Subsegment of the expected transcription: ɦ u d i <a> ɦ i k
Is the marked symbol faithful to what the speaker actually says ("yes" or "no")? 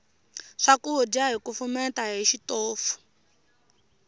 yes